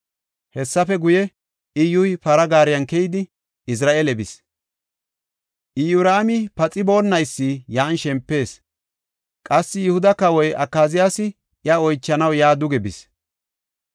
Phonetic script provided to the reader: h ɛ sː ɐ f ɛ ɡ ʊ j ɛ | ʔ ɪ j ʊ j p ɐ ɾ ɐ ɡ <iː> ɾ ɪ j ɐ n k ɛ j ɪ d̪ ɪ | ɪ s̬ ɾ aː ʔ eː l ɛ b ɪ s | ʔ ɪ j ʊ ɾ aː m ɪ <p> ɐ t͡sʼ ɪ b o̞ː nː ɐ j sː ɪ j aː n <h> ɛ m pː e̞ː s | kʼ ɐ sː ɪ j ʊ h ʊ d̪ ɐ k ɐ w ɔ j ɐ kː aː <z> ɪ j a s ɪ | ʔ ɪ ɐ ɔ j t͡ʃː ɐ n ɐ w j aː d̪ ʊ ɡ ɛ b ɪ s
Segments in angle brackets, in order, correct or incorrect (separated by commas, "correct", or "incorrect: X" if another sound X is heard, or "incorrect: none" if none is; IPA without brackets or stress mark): incorrect: aː, correct, incorrect: ʃ, correct